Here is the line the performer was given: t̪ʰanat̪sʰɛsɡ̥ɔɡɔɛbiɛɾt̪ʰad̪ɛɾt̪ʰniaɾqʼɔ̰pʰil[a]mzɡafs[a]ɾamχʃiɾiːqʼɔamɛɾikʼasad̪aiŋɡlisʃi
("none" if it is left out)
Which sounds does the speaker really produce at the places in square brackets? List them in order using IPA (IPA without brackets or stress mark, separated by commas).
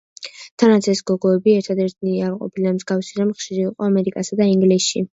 a, i